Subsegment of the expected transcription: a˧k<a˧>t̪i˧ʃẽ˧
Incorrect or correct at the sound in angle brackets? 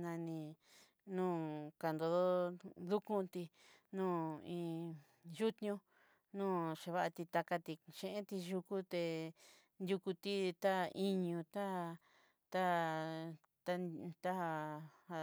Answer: correct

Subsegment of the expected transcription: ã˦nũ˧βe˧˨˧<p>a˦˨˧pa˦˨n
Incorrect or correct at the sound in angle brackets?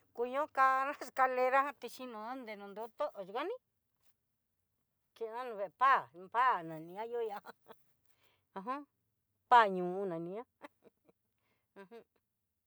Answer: correct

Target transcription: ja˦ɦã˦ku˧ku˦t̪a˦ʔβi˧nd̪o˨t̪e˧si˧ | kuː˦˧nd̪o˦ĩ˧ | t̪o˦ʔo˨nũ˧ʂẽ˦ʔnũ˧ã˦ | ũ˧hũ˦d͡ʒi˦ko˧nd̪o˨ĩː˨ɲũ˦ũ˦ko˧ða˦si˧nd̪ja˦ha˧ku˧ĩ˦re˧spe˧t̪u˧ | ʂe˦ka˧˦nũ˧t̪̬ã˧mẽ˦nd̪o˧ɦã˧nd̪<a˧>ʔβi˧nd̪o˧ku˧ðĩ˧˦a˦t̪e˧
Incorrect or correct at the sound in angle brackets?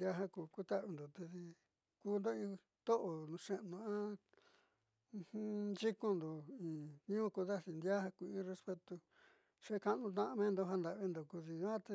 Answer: correct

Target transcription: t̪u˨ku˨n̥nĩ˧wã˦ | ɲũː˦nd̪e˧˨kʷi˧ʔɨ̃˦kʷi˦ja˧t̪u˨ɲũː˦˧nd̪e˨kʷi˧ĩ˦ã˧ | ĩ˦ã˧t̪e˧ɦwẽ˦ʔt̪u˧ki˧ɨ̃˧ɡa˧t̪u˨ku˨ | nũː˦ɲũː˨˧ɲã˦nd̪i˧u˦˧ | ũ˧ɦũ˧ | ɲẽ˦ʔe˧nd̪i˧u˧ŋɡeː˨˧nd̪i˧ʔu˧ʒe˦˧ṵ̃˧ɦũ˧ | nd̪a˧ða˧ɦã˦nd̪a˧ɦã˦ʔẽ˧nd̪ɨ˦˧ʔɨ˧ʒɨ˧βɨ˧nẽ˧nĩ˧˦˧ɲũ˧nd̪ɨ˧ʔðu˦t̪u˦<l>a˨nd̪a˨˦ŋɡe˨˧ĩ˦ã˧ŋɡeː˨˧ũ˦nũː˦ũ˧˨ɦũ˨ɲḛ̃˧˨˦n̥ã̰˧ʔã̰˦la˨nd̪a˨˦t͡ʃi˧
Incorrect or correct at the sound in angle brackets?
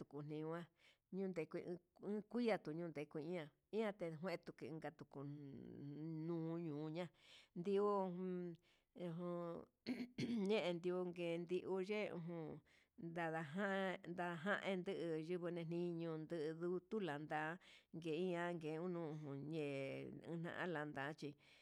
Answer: correct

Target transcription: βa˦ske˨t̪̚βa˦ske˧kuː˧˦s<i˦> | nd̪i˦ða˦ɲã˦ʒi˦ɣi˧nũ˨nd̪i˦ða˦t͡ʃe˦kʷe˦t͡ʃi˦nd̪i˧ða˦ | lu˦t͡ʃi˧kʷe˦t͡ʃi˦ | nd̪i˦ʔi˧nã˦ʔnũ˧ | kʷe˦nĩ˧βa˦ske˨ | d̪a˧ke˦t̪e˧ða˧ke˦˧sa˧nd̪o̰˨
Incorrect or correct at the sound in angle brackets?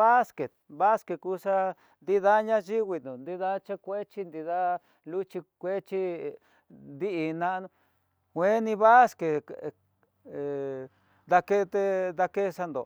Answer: incorrect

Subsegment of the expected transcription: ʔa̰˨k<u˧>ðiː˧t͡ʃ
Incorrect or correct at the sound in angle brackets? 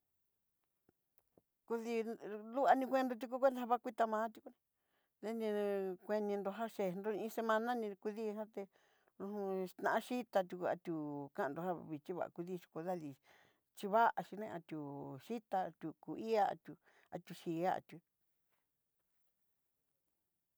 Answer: correct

